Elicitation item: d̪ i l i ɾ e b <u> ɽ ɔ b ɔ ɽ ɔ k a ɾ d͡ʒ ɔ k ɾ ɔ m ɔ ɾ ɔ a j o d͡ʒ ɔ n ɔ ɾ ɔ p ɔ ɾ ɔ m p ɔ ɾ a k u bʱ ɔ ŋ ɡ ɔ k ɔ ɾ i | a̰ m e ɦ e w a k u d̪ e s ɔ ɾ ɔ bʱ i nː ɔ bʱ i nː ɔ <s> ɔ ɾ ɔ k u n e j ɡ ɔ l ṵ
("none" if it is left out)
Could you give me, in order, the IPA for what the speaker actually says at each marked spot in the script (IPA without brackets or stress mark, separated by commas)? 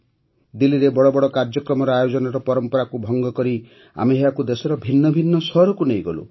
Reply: ɔ, s